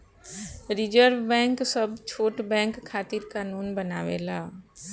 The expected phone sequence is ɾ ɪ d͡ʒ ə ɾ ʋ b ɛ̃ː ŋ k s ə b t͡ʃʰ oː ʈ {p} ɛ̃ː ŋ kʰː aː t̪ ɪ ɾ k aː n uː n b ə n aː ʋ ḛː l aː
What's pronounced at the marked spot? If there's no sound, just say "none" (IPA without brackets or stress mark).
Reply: b